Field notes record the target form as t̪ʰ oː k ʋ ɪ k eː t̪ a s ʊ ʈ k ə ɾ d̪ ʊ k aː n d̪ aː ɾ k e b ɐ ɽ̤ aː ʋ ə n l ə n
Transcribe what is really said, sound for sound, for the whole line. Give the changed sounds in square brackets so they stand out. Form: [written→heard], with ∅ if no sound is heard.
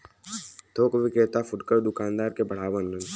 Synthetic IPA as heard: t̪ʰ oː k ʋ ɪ k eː t̪ a [s→f] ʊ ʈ k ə ɾ d̪ ʊ k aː n d̪ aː ɾ k e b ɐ ɽ̤ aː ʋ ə n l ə n

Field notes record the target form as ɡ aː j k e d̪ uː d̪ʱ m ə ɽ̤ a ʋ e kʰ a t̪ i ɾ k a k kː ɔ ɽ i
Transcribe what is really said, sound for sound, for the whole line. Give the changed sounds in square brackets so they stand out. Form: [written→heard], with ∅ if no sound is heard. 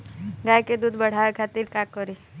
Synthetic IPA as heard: ɡ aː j k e d̪ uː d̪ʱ [m→b] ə ɽ̤ a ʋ e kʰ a t̪ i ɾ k a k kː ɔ [ɽ→ɾ] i

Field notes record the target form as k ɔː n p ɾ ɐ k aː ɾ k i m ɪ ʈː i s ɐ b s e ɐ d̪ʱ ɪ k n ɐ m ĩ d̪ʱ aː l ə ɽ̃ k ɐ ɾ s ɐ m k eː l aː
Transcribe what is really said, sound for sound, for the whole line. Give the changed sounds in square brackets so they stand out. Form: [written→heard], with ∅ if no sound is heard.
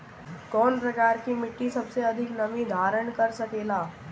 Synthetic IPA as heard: k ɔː n p ɾ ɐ k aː ɾ k i m ɪ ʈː i s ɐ b s e ɐ d̪ʱ ɪ k n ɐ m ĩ d̪ʱ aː [l→ɾ] ə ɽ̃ k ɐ ɾ s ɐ [m→∅] k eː l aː

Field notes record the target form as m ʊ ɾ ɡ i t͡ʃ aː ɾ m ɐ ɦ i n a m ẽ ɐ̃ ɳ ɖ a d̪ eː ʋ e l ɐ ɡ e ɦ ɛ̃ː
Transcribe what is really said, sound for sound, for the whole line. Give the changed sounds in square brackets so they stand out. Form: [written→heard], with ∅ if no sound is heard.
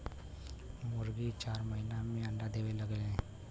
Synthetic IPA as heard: m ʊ ɾ ɡ i t͡ʃ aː ɾ m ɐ ɦ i n a m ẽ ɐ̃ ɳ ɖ a d̪ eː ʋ e l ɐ ɡ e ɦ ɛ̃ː

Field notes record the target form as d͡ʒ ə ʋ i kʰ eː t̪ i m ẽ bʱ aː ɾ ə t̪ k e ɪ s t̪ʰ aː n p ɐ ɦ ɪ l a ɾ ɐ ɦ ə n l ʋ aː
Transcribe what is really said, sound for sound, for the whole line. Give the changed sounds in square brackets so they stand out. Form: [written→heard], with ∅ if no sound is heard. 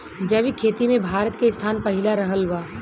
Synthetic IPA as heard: d͡ʒ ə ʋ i kʰ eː t̪ i m ẽ bʱ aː ɾ ə t̪ k e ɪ s t̪ʰ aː n p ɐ ɦ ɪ l a ɾ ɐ ɦ ə [n→∅] l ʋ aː

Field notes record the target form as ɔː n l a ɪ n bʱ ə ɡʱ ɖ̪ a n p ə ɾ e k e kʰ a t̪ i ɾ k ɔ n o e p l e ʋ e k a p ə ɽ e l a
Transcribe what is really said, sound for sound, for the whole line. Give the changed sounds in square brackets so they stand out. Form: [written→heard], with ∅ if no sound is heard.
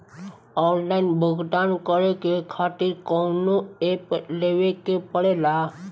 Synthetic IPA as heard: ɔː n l a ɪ n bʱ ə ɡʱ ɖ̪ a n [p→k] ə ɾ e k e kʰ a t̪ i ɾ k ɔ n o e p l e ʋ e k [a→e] p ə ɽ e l a

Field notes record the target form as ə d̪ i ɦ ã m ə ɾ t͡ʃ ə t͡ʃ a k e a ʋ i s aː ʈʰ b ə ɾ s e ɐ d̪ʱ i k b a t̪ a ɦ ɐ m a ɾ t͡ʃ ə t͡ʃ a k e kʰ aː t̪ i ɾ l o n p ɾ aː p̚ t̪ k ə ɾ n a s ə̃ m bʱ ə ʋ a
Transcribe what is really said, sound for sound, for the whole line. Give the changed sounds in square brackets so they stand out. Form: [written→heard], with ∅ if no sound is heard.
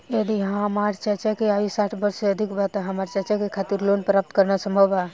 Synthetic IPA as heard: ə d̪ i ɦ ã m [ə→a] ɾ t͡ʃ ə t͡ʃ a k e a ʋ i s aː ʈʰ b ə ɾ s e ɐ d̪ʱ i k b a t̪ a ɦ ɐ m a ɾ t͡ʃ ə t͡ʃ a k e kʰ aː t̪ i ɾ l o n p ɾ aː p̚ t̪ k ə ɾ n a s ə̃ m bʱ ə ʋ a

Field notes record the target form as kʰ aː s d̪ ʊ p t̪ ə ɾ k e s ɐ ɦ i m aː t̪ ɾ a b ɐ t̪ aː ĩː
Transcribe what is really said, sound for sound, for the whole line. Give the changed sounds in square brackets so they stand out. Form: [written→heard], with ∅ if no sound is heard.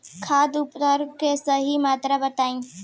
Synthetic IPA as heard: kʰ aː [s→∅] d̪ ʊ p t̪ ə ɾ k e s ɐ ɦ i m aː t̪ ɾ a b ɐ t̪ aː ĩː

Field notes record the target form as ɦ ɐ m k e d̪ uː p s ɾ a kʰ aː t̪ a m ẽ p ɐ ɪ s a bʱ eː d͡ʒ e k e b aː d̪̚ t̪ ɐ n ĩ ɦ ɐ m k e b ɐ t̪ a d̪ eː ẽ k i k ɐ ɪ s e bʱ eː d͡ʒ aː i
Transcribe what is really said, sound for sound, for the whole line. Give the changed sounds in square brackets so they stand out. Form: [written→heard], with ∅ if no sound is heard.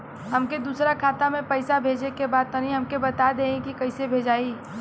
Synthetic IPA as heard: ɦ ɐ m k e d̪ uː [p→∅] s ɾ a kʰ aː t̪ a m ẽ p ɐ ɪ s a bʱ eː d͡ʒ e k e b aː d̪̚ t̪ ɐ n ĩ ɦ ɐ m k e b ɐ t̪ a d̪ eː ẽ k i k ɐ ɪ s e bʱ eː d͡ʒ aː i

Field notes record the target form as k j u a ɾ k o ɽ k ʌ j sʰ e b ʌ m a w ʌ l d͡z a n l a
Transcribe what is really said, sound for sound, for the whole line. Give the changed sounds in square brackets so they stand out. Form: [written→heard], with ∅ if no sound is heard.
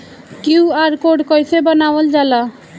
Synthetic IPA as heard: k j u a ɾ k o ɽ k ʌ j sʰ e b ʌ [m→n] a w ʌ l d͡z a [n→∅] l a

